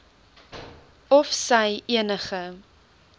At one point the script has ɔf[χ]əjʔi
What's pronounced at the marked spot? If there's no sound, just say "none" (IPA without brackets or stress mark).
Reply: s